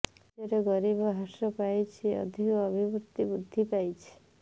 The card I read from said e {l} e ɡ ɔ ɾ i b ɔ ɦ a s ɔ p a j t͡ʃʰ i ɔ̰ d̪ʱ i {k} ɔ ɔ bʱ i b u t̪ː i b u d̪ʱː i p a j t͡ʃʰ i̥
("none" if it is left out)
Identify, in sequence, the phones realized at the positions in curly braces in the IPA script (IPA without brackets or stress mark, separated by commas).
ɾ, k